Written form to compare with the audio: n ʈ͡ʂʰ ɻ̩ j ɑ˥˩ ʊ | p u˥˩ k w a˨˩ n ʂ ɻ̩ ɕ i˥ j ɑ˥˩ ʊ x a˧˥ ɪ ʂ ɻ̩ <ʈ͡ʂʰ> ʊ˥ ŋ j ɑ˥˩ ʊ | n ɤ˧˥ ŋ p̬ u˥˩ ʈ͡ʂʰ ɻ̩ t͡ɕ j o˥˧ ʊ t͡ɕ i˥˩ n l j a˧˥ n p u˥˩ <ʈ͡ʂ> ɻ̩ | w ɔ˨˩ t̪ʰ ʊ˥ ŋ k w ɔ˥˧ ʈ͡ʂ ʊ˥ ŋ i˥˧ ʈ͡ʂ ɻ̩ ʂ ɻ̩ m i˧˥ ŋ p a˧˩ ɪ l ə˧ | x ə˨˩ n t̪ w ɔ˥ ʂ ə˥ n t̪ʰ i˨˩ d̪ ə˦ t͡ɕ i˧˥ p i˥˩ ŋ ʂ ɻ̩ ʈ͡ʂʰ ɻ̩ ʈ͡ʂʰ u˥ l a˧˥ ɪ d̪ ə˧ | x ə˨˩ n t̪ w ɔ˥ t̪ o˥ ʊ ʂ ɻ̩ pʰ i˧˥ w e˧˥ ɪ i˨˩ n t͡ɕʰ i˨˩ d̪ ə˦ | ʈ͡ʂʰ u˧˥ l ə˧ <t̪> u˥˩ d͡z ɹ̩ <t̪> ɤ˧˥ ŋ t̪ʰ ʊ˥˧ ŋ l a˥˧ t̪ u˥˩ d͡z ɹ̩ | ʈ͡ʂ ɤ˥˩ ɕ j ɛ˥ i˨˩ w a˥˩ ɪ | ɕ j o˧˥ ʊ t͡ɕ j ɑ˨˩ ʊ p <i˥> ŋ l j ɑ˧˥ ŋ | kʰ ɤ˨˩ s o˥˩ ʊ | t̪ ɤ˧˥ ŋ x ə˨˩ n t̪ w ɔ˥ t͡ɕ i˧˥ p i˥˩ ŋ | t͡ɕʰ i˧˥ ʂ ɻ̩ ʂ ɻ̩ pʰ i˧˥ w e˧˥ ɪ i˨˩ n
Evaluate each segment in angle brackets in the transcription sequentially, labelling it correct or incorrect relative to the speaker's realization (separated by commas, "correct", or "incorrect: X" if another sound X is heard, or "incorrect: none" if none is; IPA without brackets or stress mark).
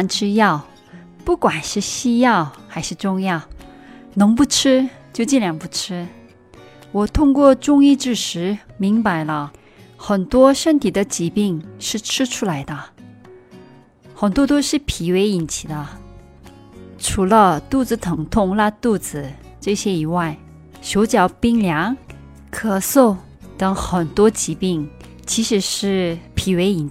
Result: incorrect: ʈ͡ʂ, incorrect: ʈ͡ʂʰ, correct, incorrect: t̪ʰ, correct